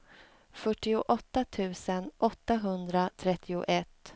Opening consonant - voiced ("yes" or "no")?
no